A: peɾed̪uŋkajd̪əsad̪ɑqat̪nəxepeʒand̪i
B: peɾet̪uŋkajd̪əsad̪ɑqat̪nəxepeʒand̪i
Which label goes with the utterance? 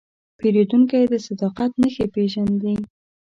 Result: A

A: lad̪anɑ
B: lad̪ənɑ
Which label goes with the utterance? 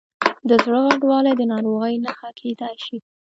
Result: B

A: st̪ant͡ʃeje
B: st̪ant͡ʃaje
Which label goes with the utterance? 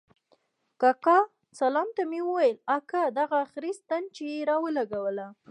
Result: A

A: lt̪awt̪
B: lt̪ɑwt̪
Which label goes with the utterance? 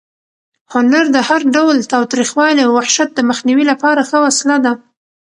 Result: B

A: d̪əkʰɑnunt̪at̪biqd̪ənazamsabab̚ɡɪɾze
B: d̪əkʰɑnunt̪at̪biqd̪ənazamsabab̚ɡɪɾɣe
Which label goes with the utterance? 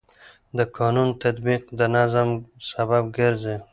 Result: A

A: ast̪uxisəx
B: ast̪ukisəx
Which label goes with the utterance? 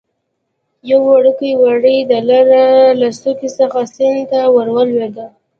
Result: B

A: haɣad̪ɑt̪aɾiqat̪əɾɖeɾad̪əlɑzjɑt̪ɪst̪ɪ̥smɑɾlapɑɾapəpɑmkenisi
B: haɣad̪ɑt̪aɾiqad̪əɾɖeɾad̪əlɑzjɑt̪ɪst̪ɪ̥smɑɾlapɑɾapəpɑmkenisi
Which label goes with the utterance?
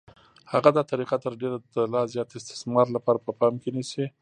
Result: A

